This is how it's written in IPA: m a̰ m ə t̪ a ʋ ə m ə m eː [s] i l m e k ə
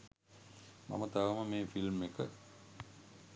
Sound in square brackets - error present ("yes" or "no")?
yes